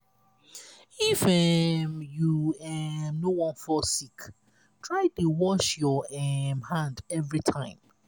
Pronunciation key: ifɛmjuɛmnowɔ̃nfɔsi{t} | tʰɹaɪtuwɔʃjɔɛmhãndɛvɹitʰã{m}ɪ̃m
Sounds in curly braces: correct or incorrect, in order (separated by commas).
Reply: incorrect, incorrect